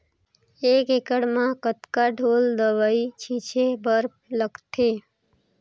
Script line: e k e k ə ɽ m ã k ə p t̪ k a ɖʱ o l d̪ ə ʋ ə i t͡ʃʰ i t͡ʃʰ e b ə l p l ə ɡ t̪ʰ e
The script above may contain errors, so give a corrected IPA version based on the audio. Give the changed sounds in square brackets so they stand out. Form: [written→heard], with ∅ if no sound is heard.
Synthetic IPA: e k e k ə ɽ m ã k ə [p→∅] t̪ k a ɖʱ o l d̪ ə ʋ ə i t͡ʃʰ i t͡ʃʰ e b ə [l→ɾ] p l ə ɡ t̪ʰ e